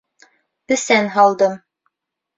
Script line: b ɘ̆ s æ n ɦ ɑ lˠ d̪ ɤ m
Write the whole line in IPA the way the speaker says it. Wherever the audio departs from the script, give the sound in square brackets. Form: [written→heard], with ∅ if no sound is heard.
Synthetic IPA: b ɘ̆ s æ n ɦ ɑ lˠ d̪ ɤ m